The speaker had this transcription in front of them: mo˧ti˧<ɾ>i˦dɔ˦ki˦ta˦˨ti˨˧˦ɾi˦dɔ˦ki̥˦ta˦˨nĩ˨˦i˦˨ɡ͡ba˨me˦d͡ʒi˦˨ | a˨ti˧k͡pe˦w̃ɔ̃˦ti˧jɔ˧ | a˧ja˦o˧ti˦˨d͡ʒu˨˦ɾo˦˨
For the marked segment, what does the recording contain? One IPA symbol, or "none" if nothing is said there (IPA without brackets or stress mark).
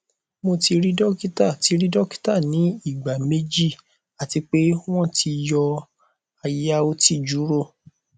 ɾ